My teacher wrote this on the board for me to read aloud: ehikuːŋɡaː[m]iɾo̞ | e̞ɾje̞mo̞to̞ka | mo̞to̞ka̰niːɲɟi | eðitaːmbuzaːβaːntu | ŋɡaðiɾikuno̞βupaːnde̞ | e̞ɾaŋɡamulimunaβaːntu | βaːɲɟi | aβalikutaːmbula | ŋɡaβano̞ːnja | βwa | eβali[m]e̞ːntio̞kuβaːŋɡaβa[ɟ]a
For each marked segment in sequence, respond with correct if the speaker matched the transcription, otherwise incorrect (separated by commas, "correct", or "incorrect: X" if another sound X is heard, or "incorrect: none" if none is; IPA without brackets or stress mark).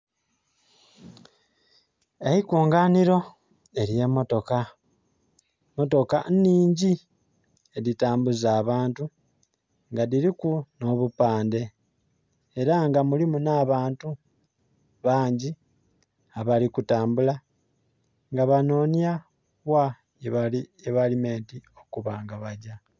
incorrect: n, correct, correct